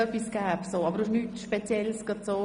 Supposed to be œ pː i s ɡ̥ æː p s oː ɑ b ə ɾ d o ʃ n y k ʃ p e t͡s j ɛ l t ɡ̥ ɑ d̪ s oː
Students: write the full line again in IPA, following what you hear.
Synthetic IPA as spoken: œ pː i s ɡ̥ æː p s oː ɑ b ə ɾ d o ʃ n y t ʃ p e t͡s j ɛ l s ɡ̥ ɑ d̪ s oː